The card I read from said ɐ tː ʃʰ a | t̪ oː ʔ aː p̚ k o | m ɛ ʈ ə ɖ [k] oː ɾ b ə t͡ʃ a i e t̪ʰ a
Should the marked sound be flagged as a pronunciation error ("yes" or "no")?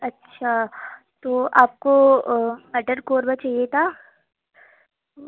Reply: no